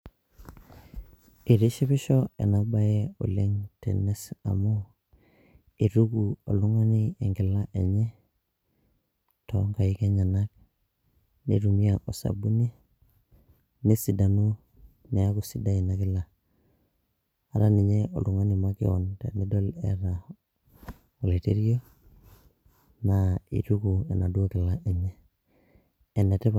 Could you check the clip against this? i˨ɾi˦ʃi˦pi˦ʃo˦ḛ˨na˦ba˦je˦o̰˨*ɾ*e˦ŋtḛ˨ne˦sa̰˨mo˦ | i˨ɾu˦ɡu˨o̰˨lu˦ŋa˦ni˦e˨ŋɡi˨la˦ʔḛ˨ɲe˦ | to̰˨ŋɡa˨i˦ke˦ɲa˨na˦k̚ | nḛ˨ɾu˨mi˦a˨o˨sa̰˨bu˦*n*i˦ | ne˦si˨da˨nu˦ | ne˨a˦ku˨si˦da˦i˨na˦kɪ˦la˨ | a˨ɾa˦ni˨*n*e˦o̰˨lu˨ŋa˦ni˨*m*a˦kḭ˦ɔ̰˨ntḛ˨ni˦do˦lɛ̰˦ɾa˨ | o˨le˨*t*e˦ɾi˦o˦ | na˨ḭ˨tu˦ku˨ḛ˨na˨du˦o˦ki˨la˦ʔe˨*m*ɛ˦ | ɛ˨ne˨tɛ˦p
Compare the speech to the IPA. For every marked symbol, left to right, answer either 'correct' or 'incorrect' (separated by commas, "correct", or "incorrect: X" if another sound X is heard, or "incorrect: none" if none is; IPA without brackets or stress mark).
incorrect: l, correct, incorrect: ɲ, correct, correct, incorrect: ɲ